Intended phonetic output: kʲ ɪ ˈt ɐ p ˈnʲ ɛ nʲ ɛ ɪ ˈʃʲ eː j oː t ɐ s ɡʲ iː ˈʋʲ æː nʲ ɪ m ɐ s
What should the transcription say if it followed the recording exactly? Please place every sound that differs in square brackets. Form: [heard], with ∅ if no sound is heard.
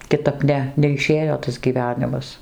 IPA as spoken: kʲ ɪ ˈt ɐ p ˈnʲ ɛ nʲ ɛ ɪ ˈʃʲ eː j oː t ɐ s ɡʲ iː ˈʋʲ æː nʲ ɪ m ɐ s